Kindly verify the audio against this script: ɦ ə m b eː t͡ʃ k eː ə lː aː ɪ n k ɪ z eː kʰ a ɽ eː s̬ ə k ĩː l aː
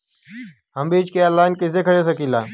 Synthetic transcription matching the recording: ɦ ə m b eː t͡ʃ k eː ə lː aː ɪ n k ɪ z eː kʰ ə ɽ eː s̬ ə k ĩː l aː